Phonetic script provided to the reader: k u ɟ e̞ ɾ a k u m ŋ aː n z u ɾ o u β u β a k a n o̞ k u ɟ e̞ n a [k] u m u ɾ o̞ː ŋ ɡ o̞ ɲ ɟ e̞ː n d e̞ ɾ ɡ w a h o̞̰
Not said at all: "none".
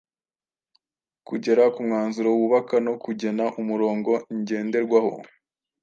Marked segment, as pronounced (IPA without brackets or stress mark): ʔ